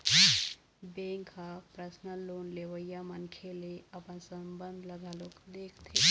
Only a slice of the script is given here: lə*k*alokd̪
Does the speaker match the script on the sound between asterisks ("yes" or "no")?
no